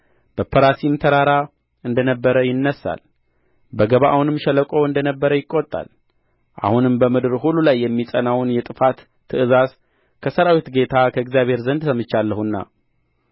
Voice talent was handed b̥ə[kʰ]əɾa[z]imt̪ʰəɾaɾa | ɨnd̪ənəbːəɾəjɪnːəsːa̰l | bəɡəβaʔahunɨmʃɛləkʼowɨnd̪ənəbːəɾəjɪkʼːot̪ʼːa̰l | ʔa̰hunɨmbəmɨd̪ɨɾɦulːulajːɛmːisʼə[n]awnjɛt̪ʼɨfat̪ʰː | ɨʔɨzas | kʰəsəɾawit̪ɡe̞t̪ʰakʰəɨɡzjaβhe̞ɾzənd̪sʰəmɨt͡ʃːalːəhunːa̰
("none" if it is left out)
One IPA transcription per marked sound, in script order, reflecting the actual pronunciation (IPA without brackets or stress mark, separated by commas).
pʰ, s, n